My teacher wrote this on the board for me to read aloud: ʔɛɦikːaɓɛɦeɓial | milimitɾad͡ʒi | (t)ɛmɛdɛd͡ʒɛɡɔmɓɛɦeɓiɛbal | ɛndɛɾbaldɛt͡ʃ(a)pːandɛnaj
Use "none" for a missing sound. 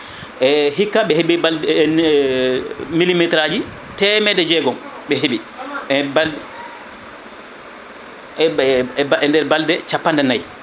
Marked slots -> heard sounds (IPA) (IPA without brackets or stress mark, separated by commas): t, a